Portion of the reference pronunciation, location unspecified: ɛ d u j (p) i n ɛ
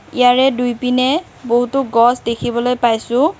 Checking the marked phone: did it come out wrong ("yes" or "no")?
no